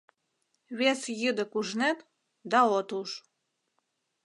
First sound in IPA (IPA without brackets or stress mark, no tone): β